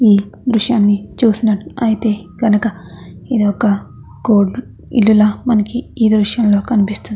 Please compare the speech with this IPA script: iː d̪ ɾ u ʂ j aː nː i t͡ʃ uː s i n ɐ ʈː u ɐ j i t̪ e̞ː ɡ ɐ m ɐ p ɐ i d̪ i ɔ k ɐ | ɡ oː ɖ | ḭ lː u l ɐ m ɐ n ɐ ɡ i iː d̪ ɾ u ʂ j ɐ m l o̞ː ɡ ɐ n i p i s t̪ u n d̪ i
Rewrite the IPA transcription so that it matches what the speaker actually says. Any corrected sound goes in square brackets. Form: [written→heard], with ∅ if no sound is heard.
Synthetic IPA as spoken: iː d̪ ɾ u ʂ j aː nː i t͡ʃ uː s i n ɐ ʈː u ɐ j i t̪ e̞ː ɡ ɐ [m→n] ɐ [p→k] ɐ i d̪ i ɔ k ɐ | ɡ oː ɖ | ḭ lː u l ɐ m ɐ n ɐ [ɡ→k] i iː d̪ ɾ u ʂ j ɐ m l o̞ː [ɡ→k] ɐ n i p i s t̪ u n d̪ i